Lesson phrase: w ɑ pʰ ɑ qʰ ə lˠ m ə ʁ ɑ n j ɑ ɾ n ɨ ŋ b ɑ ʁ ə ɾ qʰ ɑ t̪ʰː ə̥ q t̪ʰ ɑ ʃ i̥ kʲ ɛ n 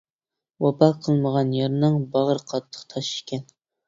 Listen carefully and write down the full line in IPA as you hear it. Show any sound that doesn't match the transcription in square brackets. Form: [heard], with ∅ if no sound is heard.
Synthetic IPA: w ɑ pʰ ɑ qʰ ə lˠ m ə ʁ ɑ n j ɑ ɾ n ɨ ŋ b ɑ ʁ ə ɾ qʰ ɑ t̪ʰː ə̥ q t̪ʰ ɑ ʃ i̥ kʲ ɛ n